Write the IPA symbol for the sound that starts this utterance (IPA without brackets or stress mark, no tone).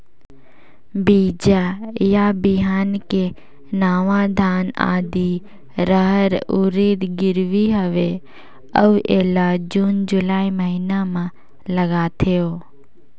b